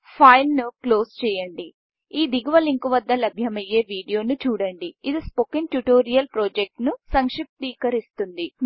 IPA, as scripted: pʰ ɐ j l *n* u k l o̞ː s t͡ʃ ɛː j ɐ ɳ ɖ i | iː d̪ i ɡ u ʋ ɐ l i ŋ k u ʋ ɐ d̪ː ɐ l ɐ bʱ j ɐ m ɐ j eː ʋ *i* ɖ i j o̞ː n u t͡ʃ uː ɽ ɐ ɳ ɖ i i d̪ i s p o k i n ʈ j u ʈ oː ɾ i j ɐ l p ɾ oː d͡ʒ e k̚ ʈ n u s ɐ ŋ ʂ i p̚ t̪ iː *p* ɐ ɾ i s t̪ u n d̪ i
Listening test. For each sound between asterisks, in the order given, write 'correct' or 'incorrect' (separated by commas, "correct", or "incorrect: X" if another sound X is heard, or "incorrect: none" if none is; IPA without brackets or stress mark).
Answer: correct, incorrect: iː, incorrect: k